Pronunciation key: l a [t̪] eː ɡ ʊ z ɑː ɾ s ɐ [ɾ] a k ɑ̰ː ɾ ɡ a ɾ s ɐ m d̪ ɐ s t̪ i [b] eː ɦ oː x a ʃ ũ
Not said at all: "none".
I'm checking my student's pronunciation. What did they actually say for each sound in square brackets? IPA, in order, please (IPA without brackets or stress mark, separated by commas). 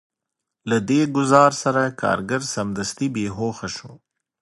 d̪, ɾ, b